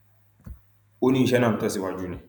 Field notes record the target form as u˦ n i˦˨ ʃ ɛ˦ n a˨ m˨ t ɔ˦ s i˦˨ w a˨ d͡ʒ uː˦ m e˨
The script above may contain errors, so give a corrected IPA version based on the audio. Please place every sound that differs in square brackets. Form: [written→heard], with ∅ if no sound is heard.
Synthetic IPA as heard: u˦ n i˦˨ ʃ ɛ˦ n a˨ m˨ t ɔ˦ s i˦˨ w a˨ d͡ʒ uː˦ [m→n] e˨